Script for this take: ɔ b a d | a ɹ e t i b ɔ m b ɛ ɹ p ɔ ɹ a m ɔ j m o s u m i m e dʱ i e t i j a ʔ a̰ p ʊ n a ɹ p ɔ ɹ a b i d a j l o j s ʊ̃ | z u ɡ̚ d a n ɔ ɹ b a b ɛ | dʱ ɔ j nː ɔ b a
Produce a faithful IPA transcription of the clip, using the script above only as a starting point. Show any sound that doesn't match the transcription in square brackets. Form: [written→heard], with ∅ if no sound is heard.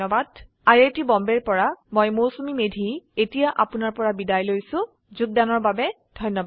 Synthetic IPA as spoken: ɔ b a d | a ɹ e t i b ɔ m b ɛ ɹ p ɔ ɹ a m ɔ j m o s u m i m e dʱ i e t i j a ʔ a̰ p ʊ n a ɹ p ɔ ɹ a b i d a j l o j s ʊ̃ | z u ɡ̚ d a n ɔ ɹ b a b ɛ | dʱ ɔ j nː ɔ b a